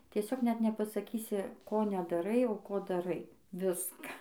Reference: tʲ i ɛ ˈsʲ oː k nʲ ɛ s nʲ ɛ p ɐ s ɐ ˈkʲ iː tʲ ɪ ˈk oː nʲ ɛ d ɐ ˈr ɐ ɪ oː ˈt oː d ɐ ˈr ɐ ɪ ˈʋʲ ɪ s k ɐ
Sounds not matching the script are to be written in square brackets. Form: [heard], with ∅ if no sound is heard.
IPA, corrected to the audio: tʲ i ɛ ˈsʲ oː k nʲ ɛ [t] nʲ ɛ p ɐ s ɐ ˈkʲ iː [sʲ] ɪ ˈk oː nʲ ɛ d ɐ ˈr ɐ ɪ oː [ˈk] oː d ɐ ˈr ɐ ɪ ˈʋʲ ɪ s k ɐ